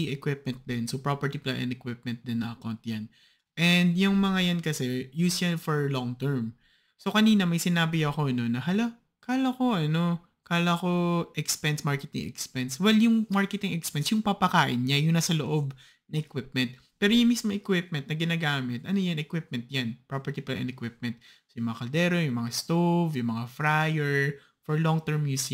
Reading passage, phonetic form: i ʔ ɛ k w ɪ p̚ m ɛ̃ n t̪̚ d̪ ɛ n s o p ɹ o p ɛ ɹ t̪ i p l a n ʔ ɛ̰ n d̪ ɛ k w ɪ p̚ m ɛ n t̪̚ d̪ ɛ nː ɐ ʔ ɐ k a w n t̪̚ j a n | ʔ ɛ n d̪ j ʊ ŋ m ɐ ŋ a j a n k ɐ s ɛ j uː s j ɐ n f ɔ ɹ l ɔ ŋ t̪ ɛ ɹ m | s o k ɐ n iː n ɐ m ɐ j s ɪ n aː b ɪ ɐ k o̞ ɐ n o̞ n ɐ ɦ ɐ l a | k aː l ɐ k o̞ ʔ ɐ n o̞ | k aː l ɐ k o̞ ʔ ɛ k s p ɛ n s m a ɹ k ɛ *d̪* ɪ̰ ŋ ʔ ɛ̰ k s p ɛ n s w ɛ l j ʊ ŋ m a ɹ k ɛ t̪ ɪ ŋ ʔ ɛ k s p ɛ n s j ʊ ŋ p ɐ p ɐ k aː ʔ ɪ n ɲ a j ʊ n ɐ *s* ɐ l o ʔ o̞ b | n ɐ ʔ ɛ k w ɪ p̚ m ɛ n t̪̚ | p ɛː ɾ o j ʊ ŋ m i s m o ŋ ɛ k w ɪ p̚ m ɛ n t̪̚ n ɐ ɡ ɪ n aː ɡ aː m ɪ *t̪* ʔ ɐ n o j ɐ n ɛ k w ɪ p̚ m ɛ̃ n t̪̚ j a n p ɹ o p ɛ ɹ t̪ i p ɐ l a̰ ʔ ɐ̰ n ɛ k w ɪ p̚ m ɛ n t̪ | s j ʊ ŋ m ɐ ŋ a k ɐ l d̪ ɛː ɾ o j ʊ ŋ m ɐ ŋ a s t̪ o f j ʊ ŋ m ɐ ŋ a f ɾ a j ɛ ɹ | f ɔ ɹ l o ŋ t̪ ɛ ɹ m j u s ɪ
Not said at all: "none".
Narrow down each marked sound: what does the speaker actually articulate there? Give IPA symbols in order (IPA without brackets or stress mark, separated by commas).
t̪, s, t̪